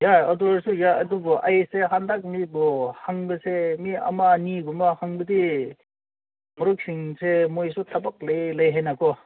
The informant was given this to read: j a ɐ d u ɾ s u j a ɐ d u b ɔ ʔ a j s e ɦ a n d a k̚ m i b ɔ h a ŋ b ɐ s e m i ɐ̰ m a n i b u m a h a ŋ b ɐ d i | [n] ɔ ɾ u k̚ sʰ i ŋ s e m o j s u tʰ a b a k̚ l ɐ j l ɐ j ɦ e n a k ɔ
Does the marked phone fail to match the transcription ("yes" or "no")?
yes